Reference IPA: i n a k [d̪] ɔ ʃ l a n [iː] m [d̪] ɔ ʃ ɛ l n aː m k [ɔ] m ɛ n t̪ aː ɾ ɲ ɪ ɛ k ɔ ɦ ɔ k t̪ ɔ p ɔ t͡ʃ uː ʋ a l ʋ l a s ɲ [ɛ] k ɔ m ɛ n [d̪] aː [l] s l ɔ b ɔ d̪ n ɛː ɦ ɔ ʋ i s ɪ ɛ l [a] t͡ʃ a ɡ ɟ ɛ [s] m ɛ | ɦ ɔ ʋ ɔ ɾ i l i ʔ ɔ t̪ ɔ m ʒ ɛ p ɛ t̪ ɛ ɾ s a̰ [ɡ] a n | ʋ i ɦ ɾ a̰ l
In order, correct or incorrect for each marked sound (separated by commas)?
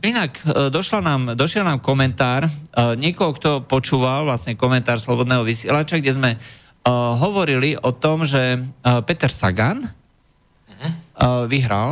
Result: correct, incorrect, correct, correct, correct, incorrect, incorrect, correct, incorrect, correct